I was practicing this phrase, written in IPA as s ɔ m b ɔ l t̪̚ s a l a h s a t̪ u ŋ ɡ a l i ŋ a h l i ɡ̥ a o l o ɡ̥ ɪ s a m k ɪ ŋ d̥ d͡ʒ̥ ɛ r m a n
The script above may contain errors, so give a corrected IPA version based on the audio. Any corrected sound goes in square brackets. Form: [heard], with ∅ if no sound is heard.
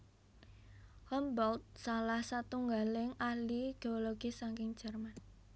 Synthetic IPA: [h] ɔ m b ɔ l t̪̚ s a l a h s a t̪ u ŋ ɡ a l [ɪ] ŋ a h l i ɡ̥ [e] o l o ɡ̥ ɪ s a [ŋ] k ɪ ŋ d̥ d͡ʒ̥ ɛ r m a n